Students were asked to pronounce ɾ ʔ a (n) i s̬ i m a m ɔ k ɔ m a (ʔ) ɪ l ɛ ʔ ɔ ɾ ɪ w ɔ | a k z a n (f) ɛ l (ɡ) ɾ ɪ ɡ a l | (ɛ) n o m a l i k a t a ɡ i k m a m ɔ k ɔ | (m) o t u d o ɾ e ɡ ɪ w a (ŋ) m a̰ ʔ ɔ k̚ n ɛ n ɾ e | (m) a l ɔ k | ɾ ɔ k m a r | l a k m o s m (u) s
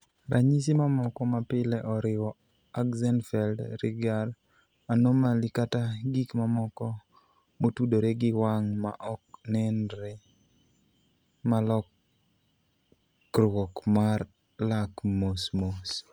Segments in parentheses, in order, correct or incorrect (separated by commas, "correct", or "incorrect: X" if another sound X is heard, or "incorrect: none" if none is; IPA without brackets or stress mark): incorrect: ɲ, incorrect: p, correct, incorrect: d, incorrect: a, correct, correct, correct, incorrect: o